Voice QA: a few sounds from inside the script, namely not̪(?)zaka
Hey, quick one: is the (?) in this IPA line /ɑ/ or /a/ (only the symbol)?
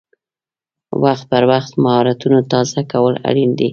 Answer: ɑ